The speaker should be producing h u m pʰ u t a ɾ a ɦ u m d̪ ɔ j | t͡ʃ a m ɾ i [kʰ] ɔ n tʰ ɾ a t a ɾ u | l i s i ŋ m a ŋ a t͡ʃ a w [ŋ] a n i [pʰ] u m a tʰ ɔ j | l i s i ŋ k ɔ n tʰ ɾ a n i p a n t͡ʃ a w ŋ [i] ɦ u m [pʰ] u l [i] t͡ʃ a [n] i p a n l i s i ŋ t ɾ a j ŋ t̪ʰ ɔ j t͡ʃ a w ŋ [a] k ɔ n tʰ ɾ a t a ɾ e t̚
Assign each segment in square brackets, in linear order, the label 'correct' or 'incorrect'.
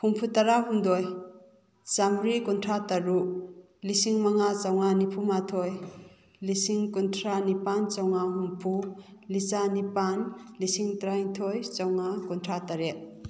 incorrect: k, correct, correct, incorrect: a, correct, correct, correct, correct

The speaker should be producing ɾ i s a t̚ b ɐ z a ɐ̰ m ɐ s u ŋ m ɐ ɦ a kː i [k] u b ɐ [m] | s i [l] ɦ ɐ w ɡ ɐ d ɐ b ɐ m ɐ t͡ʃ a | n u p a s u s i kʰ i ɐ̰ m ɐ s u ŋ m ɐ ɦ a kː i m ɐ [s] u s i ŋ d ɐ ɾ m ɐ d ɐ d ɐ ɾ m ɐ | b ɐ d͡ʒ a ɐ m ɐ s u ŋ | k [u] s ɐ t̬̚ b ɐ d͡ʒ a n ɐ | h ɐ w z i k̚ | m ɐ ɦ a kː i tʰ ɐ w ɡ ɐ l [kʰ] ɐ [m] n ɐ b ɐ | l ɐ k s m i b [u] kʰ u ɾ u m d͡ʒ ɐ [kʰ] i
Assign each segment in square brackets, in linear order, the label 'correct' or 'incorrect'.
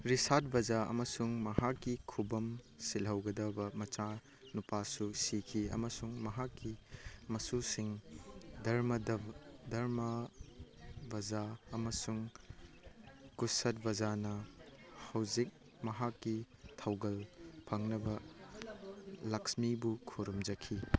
incorrect: kʰ, correct, correct, correct, correct, incorrect: pʰ, incorrect: ŋ, correct, correct

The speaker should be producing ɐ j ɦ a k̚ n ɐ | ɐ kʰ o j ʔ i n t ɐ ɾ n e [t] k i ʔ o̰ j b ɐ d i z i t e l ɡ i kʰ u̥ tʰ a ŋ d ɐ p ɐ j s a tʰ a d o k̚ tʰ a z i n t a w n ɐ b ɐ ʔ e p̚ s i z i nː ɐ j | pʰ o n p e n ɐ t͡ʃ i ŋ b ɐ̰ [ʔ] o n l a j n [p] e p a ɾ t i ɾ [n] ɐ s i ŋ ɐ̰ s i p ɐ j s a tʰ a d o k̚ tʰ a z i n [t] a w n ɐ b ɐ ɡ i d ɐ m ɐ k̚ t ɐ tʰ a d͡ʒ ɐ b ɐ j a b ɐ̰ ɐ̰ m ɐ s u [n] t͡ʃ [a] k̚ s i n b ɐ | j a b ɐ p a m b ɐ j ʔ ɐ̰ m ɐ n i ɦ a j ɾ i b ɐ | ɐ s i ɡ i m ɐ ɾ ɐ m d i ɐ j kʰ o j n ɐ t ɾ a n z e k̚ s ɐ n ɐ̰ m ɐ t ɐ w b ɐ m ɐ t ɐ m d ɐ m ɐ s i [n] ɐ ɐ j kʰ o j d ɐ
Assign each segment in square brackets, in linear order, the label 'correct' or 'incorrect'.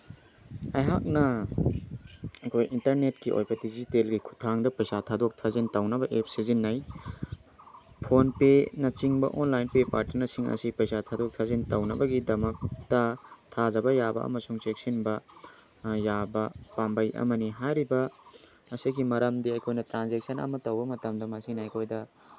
correct, correct, correct, correct, correct, incorrect: ŋ, incorrect: e, correct

